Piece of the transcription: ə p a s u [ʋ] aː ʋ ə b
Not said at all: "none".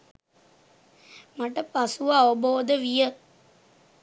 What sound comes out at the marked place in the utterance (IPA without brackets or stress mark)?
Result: ʋ